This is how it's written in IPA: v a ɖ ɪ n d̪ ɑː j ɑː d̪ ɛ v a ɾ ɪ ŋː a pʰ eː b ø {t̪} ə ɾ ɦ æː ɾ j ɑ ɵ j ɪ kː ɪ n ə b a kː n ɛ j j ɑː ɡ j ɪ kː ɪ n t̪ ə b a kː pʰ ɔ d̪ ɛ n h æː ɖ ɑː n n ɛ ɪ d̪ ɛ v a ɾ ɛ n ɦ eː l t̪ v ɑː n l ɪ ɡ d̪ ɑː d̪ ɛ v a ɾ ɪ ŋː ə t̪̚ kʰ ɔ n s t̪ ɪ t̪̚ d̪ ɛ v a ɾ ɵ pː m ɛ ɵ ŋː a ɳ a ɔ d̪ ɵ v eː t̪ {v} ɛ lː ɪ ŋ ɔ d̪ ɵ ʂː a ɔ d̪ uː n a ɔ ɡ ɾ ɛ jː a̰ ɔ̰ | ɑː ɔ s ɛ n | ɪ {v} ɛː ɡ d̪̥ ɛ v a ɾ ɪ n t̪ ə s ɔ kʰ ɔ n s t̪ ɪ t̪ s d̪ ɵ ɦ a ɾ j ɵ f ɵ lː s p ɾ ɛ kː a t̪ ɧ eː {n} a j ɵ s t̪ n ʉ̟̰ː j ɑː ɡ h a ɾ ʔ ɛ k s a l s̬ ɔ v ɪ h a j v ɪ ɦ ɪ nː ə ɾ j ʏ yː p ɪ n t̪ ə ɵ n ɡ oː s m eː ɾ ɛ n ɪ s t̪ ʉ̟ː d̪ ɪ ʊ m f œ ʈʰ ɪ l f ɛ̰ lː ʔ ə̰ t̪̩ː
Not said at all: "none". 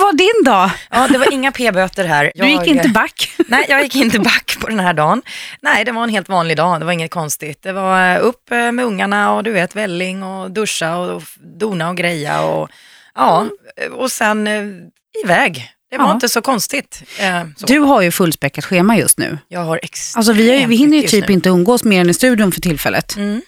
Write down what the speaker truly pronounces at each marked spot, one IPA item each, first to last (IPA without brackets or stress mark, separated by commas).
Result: t̪, v, v, m